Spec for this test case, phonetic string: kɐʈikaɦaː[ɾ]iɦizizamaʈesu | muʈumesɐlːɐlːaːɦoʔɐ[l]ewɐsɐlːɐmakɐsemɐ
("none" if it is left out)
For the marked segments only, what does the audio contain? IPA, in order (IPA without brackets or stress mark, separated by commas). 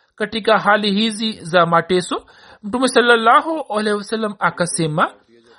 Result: l, l